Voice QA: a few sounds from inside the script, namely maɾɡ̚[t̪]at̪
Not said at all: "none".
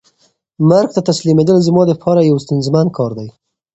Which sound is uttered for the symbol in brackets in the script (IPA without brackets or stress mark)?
t̪